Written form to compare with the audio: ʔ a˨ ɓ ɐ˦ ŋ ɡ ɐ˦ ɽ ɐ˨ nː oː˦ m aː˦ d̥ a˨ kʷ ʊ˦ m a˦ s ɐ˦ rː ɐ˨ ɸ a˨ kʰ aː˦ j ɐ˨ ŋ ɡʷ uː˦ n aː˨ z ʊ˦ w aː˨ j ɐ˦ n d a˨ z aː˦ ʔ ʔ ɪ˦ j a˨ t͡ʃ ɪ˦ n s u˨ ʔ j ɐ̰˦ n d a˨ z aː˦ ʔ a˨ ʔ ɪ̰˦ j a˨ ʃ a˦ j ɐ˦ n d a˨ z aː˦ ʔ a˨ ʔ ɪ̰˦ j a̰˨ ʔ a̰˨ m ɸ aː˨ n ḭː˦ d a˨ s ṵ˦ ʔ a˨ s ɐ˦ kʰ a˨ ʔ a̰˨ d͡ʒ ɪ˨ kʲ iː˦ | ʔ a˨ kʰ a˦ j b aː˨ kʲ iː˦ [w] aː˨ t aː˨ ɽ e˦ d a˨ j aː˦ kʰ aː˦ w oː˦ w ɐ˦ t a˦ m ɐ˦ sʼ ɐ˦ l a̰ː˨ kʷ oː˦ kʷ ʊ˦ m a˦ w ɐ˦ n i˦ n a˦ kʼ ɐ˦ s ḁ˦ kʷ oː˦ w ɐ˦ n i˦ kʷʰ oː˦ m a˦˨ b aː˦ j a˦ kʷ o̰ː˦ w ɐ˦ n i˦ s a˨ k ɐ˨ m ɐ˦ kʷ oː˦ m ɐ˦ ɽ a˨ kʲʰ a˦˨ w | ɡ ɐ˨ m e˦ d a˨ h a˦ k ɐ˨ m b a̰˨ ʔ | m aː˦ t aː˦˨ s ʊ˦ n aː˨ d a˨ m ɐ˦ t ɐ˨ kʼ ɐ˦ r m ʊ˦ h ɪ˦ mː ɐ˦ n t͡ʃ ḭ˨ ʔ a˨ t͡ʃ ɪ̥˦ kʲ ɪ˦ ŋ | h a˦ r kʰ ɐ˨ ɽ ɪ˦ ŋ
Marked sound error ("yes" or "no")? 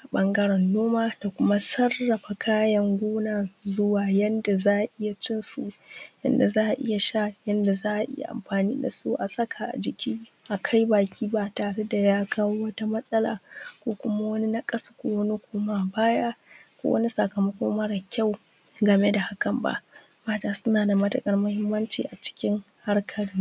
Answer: yes